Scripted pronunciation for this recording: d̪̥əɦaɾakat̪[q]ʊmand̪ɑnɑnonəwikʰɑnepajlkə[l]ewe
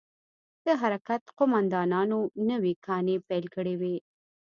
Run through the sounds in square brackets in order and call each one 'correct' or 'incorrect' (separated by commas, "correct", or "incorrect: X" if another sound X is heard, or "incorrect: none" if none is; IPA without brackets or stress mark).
correct, incorrect: ɽ